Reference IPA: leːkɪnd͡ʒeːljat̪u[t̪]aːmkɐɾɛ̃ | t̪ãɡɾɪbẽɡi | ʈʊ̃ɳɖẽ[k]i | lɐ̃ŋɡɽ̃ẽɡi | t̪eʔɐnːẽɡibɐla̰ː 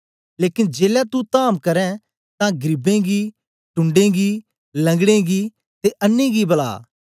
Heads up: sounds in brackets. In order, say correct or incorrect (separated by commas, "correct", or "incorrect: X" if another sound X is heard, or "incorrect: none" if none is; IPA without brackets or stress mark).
correct, incorrect: ɡ